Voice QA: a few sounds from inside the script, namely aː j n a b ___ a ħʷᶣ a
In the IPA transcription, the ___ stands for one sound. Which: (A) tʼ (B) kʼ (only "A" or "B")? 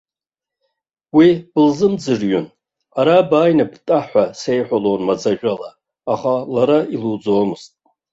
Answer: A